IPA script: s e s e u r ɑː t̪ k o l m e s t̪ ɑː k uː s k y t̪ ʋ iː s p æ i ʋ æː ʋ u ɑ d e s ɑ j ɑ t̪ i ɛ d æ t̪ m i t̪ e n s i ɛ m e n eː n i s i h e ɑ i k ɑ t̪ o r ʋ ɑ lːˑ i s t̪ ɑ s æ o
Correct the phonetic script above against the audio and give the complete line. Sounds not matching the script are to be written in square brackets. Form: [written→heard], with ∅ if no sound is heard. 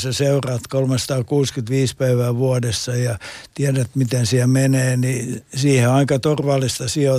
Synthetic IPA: s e s e u r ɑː t̪ k o l m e s t̪ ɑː k uː s k y t̪ ʋ iː s p æ i ʋ æː ʋ u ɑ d e [s→sː] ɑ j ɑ t̪ i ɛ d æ t̪ m i t̪ e n s i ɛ m e n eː n i s [i→iː] h e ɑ i k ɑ t̪ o r ʋ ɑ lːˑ i s t̪ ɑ s [æ→i] o